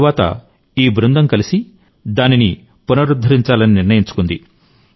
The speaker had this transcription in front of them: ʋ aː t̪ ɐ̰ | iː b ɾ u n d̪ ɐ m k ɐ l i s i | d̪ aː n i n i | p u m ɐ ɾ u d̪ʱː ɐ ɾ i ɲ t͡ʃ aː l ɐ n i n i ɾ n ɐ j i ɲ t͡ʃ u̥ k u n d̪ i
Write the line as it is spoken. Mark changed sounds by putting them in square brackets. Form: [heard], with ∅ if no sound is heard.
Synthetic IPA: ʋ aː t̪ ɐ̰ | iː b ɾ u n d̪ ɐ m k ɐ l i s i | d̪ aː n i n i | p u [n] ɐ ɾ u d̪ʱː ɐ ɾ i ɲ t͡ʃ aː l ɐ n i n i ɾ n ɐ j i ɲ t͡ʃ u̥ k u n d̪ i

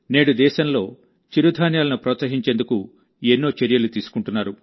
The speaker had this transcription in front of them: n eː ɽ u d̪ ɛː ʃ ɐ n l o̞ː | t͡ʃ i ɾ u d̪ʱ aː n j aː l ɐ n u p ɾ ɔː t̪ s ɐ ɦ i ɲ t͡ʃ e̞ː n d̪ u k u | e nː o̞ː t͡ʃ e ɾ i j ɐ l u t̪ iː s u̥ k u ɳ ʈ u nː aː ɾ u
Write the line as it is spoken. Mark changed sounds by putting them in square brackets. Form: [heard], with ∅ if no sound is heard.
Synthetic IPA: n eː ɽ u d̪ ɛː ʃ ɐ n l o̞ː | t͡ʃ i ɾ u d̪ʱ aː n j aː l ɐ n u p ɾ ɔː t̪ s ɐ ɦ i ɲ t͡ʃ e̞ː n d̪ u k u | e nː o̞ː t͡ʃ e ɾ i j ɐ l u t̪ iː s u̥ k u ɳ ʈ u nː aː ɾ u

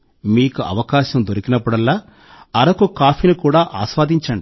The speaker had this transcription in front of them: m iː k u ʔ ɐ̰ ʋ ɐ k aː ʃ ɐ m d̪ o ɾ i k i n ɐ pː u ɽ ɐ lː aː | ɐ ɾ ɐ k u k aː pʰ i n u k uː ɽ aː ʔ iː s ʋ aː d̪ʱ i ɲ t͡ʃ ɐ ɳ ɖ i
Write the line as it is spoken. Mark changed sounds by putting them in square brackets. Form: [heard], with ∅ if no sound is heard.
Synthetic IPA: m iː k u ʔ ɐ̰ ʋ ɐ k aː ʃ ɐ m d̪ o ɾ i k i n ɐ pː u ɽ ɐ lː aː | ɐ ɾ ɐ k u k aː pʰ i n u k uː ɽ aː ʔ [aː] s ʋ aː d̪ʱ i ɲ t͡ʃ ɐ ɳ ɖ i

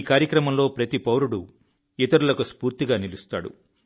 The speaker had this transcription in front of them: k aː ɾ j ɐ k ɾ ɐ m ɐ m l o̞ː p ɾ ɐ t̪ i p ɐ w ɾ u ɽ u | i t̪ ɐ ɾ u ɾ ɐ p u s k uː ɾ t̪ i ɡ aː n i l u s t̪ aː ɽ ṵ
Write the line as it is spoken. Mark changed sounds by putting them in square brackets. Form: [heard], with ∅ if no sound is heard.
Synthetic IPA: k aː ɾ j ɐ k ɾ ɐ m ɐ m l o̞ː p ɾ ɐ t̪ i p ɐ w ɾ u ɽ u | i t̪ ɐ ɾ u [l] ɐ [k] u s [p] uː ɾ t̪ i ɡ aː n i l u s t̪ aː ɽ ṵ

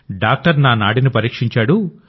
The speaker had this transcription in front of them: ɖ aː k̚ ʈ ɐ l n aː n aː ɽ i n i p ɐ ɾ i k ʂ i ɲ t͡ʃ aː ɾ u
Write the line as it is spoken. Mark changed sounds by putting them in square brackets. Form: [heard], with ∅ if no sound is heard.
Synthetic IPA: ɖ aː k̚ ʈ ɐ [ɾ] n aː n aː ɽ i n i p ɐ ɾ [iː] k ʂ i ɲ t͡ʃ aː [ɽ] u

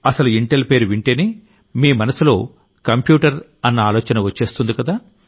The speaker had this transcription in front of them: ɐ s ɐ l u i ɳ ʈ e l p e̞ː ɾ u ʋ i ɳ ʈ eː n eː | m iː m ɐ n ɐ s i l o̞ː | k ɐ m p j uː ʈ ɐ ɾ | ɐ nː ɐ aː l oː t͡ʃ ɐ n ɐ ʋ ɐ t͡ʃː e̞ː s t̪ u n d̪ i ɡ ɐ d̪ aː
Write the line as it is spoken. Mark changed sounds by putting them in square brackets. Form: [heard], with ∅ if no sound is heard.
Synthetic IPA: ɐ s ɐ l u i ɳ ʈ e l p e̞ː ɾ u ʋ i ɳ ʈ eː n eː | m iː m ɐ n ɐ s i l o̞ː | k ɐ m p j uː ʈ ɐ ɾ | ɐ nː ɐ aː l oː t͡ʃ ɐ n ɐ ʋ ɐ t͡ʃː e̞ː s t̪ u n d̪ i [k] ɐ d̪ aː

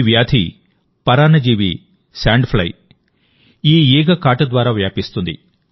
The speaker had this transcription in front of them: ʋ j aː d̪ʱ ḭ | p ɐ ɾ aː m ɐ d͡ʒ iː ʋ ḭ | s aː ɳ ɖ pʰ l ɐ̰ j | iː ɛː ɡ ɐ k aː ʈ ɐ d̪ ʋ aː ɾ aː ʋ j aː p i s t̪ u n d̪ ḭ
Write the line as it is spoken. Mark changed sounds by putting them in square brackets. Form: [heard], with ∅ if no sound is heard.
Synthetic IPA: ʋ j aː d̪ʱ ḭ | p ɐ ɾ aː [n] ɐ d͡ʒ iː ʋ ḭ | s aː ɳ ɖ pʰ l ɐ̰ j | iː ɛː ɡ ɐ k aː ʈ ɐ d̪ ʋ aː ɾ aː ʋ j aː p i s t̪ u n d̪ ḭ

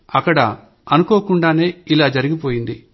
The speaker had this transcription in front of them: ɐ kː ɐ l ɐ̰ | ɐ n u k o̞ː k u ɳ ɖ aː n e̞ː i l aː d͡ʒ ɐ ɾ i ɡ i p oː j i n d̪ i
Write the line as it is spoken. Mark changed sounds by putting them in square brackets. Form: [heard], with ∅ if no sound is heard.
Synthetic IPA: ɐ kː ɐ [ɽ] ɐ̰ | ɐ n u k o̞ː k u ɳ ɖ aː n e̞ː i l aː d͡ʒ ɐ ɾ i ɡ i p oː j i n d̪ i

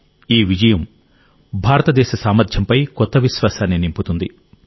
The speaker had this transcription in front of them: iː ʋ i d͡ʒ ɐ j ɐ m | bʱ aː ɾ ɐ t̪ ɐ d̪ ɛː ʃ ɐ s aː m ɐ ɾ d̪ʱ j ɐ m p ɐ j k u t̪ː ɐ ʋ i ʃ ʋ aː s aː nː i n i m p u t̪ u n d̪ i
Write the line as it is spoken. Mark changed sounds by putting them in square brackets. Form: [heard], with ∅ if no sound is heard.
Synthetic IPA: iː ʋ i d͡ʒ ɐ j ɐ m | bʱ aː ɾ ɐ t̪ ɐ d̪ ɛː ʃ ɐ s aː m ɐ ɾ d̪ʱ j ɐ m p ɐ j k [ɔ] t̪ː ɐ ʋ i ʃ ʋ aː s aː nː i n i m p u t̪ u n d̪ i

